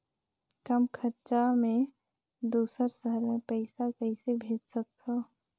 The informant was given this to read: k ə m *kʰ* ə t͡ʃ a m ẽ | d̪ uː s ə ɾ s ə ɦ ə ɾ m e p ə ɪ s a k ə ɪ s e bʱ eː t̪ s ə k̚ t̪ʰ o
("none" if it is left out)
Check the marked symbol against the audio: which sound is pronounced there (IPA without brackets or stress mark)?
kʰ